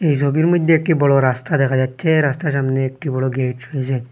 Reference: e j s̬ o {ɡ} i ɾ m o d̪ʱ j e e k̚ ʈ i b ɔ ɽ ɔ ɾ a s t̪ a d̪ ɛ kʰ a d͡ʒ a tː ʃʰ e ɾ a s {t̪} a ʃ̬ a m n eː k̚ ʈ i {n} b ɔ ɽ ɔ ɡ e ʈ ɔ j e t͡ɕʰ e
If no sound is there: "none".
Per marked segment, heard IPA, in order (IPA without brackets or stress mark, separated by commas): b, t̪, none